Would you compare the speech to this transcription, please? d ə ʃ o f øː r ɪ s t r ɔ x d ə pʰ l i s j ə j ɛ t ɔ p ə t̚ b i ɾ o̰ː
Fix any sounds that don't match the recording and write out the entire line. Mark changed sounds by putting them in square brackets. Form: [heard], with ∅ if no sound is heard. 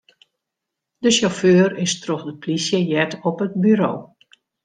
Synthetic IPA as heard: d ə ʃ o f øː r ɪ s t r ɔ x d ə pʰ l i s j ə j ɛ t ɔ p ə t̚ b [y] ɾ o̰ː

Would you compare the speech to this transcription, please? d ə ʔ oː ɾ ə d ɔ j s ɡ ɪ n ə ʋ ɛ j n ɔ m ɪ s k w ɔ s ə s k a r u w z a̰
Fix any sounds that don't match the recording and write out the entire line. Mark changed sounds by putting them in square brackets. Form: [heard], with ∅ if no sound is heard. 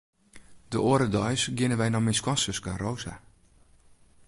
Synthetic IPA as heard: d ə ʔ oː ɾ ə d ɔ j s ɡ ɪ n ə ʋ ɛ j n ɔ m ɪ s k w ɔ s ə s k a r [o] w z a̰

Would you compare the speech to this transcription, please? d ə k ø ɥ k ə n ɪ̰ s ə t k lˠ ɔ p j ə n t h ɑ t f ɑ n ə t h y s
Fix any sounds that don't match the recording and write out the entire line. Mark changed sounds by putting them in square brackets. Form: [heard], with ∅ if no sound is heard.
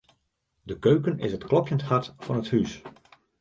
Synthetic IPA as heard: d ə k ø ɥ k ə n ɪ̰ s ə t k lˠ ɔ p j ə n t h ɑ t f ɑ n ə t h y s

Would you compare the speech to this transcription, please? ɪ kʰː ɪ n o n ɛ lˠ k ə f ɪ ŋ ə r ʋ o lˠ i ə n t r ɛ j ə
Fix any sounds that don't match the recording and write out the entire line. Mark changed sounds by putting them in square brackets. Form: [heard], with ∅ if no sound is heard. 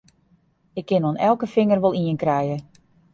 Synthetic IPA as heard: ɪ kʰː ɪ n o n ɛ lˠ k ə f ɪ ŋ ə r ʋ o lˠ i ə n [k] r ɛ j ə

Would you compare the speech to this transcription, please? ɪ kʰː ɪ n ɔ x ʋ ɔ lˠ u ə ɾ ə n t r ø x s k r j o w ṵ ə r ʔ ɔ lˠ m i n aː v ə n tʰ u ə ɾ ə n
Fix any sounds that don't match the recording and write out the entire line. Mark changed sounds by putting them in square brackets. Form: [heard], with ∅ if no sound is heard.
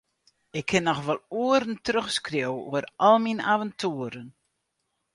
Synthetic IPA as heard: ɪ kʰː ɪ n ɔ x ʋ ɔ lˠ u ə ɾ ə n t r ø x s k r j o w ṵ ə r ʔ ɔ lˠ m i n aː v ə n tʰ u ə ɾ ə n

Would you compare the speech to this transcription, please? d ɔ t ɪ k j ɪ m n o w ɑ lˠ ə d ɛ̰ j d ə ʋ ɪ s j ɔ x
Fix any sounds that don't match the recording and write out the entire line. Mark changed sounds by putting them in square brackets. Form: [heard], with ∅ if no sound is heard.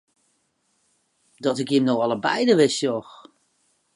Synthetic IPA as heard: d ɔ t ɪ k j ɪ m n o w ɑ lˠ ə [b] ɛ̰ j d ə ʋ ɪ s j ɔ x

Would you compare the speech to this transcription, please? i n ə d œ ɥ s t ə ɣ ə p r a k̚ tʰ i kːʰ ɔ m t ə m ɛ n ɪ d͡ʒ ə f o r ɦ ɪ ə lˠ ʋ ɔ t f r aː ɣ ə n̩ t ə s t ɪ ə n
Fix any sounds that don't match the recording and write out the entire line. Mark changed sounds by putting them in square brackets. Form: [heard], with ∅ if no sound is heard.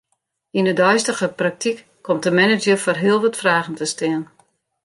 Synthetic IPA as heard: i n ə d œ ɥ s t ə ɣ ə p r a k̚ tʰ i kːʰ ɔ m t ə m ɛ n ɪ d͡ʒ ə f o r ɦ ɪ ə lˠ ʋ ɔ t f r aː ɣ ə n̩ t ə s t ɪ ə n

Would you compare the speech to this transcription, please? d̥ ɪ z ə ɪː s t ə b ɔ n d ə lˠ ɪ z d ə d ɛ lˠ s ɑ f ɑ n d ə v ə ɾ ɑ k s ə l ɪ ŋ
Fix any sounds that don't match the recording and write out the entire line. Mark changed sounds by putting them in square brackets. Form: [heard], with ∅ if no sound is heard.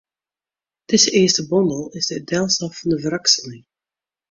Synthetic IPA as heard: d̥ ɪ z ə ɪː s t ə b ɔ n d ə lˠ ɪ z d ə d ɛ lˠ s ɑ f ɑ n d ə v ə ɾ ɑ k s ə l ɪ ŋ

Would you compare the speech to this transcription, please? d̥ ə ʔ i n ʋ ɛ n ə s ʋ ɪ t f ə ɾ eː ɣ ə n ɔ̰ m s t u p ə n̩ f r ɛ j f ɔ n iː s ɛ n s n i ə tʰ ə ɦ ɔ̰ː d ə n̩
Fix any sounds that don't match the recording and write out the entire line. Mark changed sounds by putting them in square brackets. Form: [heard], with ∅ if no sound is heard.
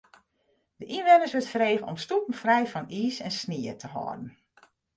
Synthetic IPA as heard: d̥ ə ʔ i n ʋ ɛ n ə s ʋ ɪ t f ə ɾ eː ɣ ə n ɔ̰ m s t u p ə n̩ f r ɛ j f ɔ n iː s ɛ n s n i ə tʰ ə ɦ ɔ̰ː d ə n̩

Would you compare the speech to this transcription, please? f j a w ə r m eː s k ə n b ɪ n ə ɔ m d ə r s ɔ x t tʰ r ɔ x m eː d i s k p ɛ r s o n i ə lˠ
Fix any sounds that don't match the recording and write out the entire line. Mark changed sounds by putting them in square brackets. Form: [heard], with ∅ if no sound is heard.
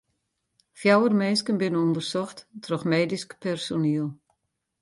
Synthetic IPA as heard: f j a w ə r m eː s k ə n b ɪ n ə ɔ [n] d ə r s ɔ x t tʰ r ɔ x m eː d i s k p ɛ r s o n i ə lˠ

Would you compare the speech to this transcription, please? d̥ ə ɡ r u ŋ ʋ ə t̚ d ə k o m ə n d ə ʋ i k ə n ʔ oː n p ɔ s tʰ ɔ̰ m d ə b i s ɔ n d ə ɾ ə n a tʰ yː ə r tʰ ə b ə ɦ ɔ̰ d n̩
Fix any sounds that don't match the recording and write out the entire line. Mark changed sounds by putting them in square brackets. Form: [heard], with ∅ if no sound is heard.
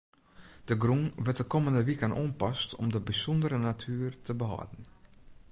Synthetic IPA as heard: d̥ ə ɡ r u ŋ ʋ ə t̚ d ə k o m ə n d ə ʋ i k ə n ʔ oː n p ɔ s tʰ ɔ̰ m d ə b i s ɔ n d ə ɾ ə n a tʰ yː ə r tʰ ə b ə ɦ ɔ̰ d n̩

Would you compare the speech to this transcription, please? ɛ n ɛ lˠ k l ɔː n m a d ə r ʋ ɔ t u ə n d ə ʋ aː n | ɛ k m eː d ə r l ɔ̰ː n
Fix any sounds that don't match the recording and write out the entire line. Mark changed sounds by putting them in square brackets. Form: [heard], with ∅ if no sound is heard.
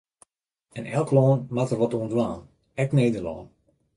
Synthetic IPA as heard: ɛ n ɛ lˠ k l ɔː n m a [t] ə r ʋ ɔ t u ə n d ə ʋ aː n | ɛ k [n] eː d ə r l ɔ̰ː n

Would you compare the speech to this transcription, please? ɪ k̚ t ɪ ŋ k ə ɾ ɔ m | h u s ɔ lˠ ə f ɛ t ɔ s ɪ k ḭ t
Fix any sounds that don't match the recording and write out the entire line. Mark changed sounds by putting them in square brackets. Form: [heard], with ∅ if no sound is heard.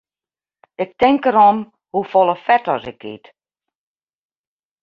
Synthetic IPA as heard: ɪ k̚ t ɪ ŋ k ə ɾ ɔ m | h u [f] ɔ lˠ ə f ɛ t ɔ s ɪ k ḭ t

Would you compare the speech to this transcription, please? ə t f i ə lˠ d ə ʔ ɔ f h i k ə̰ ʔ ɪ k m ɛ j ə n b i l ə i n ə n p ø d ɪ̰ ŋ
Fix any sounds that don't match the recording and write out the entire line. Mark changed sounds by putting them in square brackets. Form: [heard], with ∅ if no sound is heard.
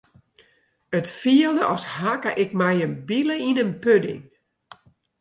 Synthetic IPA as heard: ə t f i ə lˠ d ə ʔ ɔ [s] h [a] k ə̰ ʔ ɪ k m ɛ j ə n b i l ə i n ə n p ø d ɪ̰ ŋ

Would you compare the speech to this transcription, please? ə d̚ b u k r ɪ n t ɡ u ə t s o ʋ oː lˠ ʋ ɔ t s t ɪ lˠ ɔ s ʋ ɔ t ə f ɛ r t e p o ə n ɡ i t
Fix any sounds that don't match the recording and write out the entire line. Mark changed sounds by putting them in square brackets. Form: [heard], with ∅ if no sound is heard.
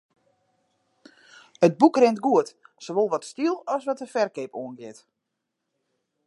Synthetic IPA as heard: ə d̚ b u k r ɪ n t ɡ u ə t s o ʋ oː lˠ ʋ ɔ t s t [i] lˠ ɔ s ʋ ɔ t ə f ɛ r [k] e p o ə n ɡ [ɪ] t

